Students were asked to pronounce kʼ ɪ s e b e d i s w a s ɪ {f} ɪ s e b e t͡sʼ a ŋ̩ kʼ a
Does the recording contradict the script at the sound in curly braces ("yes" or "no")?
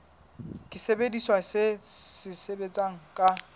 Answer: yes